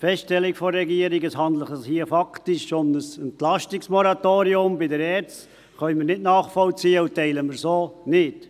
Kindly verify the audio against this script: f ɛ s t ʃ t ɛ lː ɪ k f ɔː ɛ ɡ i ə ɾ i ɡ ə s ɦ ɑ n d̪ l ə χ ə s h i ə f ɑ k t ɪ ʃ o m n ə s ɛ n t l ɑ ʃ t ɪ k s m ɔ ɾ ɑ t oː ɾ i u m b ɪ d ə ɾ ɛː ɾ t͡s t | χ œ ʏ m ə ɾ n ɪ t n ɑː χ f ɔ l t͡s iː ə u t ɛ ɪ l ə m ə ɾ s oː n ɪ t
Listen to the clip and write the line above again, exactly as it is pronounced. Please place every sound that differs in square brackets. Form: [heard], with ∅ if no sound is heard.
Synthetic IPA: f ɛ s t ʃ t ɛ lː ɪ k f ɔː ɛ ɡ i ə ɾ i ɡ ə s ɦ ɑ n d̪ l ə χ ə s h i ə f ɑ k t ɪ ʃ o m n ə s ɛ n t l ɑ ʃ t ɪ k s m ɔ ɾ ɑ t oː ɾ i [ʊ] m b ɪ d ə ɾ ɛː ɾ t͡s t | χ œ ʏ m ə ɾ n ɪ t n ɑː χ f ɔ l t͡s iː ə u t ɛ ɪ l ə m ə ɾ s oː n ɪ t